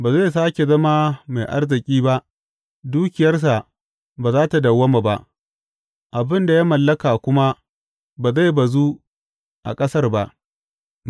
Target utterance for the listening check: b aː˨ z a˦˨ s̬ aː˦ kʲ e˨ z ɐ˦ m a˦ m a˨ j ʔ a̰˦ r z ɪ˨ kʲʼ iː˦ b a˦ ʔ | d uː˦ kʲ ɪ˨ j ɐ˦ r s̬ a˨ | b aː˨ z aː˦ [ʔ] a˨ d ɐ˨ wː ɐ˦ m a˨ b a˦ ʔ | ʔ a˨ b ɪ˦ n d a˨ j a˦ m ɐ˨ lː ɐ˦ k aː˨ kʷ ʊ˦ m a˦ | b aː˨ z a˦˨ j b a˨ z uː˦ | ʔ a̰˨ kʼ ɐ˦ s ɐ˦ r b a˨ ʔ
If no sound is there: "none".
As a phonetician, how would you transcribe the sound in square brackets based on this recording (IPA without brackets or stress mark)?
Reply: t